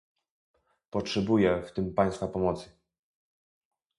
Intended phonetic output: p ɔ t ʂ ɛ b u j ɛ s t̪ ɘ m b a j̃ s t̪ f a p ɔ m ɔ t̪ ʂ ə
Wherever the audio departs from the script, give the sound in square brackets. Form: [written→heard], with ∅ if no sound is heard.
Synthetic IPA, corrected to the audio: p ɔ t ʂ ɛ b u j ɛ [s→f] t̪ ɘ m [b→p] a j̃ s t̪ f a p ɔ m ɔ t̪ [ʂ→s] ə